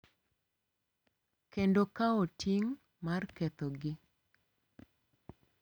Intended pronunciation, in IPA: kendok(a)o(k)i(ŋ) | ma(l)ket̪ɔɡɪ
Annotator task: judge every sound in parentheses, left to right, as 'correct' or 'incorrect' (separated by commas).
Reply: correct, incorrect, correct, incorrect